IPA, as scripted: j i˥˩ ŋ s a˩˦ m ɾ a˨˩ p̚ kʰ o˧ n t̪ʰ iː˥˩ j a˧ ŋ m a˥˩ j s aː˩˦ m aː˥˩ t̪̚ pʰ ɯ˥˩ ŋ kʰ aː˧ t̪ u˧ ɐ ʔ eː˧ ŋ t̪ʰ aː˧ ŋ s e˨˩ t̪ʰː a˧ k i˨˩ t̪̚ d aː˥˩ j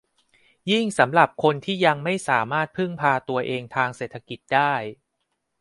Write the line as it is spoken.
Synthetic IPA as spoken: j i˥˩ ŋ s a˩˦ m ɾ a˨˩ p̚ kʰ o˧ n t̪ʰ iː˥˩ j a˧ ŋ m a˥˩ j s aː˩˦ m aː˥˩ t̪̚ pʰ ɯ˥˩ ŋ pʰ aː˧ t̪ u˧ ɐ ʔ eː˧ ŋ t̪ʰ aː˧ ŋ s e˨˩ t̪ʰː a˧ k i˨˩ t̪̚ d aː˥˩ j